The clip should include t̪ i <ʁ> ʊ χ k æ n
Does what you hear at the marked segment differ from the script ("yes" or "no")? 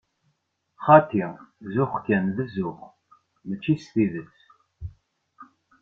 yes